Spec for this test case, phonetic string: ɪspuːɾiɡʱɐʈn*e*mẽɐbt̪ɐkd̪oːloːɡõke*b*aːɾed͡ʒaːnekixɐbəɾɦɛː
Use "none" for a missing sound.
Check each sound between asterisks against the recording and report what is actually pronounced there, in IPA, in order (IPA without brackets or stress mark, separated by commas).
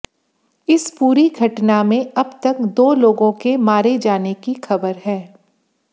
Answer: a, m